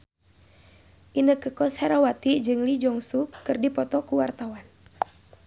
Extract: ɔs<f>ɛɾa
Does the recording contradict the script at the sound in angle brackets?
yes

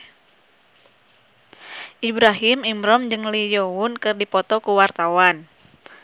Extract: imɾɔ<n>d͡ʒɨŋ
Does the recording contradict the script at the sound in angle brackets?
yes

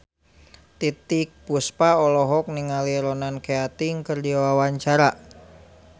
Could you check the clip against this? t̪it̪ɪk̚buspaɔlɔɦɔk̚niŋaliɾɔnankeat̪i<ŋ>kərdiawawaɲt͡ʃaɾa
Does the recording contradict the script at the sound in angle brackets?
no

